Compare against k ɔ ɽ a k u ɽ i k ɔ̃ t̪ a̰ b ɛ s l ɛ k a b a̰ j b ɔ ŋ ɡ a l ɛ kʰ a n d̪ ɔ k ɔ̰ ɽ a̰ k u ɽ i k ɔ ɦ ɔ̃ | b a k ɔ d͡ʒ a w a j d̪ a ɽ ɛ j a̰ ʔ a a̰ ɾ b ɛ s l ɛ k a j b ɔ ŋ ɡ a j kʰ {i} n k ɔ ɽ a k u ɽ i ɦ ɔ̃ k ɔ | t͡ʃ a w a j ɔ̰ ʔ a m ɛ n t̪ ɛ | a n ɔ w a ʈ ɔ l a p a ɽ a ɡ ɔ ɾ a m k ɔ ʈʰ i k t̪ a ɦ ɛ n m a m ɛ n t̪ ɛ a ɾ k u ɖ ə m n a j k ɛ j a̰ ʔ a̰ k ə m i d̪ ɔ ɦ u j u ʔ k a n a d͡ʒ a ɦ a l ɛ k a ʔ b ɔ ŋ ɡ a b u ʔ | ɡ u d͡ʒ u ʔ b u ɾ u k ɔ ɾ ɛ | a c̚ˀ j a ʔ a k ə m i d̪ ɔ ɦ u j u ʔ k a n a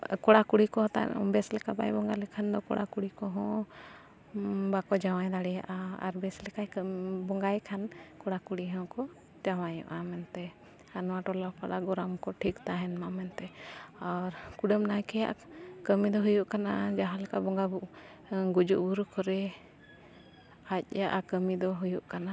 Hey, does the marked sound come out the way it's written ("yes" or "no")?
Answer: no